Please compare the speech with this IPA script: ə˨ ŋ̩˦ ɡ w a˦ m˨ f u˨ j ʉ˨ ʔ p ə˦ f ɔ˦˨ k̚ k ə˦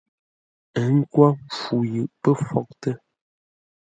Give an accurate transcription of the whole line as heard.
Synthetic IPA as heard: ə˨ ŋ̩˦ k w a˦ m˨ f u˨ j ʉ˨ ʔ p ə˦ f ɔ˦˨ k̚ t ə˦